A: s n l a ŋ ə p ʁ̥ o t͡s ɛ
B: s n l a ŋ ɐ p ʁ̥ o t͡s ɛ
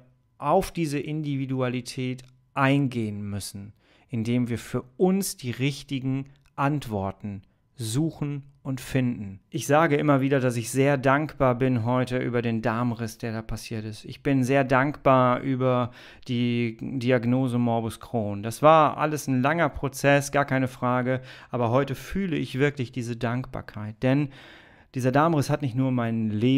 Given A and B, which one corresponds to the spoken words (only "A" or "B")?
B